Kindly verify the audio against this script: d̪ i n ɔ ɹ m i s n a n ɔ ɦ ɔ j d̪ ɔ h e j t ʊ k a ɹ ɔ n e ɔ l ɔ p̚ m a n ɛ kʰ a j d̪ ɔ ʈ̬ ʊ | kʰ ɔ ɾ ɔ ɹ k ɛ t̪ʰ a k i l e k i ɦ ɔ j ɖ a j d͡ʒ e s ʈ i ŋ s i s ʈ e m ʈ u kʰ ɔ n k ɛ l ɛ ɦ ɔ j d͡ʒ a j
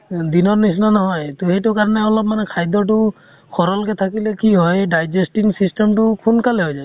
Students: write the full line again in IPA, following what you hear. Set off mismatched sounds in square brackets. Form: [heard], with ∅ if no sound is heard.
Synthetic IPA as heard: d̪ i n ɔ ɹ [n] i s n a n ɔ ɦ ɔ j [t̪] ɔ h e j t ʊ k a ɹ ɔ n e ɔ l ɔ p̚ m a n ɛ kʰ a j d̪ ɔ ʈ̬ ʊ | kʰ ɔ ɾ ɔ [l] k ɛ t̪ʰ a k i l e k i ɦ ɔ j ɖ a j d͡ʒ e s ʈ i ŋ s i s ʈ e m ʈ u kʰ [u] n k [a] l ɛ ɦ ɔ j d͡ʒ a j